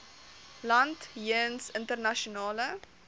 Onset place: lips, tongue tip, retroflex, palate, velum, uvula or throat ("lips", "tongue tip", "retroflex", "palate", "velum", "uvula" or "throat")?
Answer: tongue tip